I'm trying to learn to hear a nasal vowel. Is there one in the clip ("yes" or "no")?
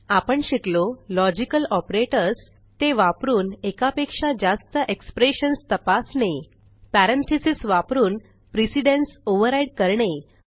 no